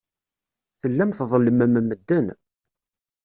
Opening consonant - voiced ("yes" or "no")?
no